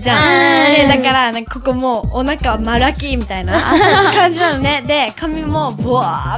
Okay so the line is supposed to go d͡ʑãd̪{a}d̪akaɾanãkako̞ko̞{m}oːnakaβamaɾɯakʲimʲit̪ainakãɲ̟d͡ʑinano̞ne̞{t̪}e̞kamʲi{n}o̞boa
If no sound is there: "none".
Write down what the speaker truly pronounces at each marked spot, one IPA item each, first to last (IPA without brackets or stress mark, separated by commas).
e, m, d̪, m